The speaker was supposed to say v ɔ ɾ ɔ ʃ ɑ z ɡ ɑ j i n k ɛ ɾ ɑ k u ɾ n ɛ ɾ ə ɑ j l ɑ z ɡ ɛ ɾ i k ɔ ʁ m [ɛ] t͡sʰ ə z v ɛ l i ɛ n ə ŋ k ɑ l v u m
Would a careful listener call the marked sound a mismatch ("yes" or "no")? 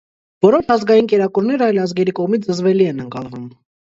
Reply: yes